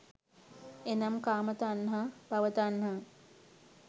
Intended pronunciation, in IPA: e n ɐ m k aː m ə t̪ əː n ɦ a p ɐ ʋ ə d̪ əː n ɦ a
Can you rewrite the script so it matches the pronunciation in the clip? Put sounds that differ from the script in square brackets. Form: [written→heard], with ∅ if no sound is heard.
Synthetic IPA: e n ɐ m k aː m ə t̪ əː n ɦ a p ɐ ʋ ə [d̪→t̪] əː n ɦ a